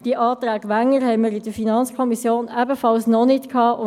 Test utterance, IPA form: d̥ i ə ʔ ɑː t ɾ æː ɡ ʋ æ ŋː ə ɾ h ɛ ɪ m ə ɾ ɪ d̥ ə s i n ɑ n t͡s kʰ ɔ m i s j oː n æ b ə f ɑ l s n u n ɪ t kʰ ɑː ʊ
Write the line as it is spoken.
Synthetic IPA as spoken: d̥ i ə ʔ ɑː t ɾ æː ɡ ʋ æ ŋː ə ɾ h ɛ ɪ m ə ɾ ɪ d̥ ə f i n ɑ n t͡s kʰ ɔ m i s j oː n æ b ə f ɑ l s n ɔ n ɪ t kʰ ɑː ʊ